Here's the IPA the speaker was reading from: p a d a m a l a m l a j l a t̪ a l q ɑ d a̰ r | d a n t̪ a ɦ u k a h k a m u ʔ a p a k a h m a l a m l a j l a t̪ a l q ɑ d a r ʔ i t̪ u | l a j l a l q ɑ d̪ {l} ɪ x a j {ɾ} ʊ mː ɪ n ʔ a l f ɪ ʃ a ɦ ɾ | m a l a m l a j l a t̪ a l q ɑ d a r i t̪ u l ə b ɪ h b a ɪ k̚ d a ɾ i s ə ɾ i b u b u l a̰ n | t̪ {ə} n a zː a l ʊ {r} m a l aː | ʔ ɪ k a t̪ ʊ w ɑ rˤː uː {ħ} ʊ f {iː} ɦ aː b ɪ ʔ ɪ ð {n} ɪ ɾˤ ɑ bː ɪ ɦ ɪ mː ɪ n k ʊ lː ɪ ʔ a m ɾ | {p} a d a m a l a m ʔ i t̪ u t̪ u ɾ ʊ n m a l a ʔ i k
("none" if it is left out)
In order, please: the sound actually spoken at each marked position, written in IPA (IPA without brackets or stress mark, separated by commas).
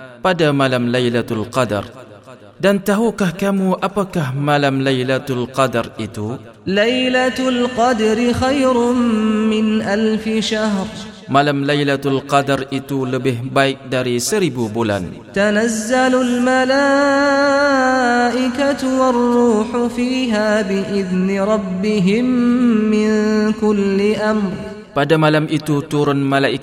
ɾ, ɾ, a, l, ħ, iː, n, p